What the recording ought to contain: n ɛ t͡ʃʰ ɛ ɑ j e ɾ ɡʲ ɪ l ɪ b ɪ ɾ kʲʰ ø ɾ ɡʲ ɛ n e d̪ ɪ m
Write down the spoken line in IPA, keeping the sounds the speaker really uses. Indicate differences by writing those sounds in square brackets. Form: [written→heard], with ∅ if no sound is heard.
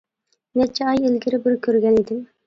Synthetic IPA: n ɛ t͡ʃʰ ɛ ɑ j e [ɾ→l] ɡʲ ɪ [l→ɾ] ɪ b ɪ ɾ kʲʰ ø ɾ ɡʲ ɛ n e d̪ ɪ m